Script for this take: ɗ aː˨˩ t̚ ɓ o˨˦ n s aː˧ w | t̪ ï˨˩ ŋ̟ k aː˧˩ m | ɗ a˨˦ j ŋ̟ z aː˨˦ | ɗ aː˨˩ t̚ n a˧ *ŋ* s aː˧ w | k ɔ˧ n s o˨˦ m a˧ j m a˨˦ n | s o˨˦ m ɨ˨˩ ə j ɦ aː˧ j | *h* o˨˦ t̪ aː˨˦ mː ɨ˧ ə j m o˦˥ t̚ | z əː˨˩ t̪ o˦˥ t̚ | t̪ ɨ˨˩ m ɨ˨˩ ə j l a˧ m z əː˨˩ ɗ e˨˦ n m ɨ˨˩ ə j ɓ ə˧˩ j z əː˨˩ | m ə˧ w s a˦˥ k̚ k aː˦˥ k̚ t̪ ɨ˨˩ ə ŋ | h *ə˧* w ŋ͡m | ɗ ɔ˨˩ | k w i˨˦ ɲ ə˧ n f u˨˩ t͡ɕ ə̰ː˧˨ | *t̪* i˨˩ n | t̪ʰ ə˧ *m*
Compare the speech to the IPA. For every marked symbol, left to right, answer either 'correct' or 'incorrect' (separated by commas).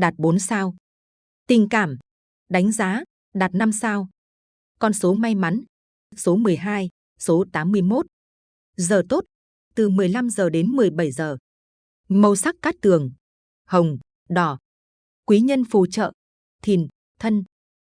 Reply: incorrect, incorrect, incorrect, incorrect, incorrect